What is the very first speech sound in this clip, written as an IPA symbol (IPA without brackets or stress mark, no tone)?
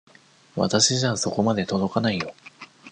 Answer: β